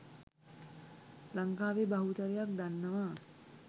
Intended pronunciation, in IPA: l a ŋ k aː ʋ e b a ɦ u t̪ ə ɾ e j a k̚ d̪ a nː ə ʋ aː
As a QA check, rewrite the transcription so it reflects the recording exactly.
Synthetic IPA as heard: l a ŋ k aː ʋ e b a ɦ u t̪ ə ɾ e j a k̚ d̪ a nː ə ʋ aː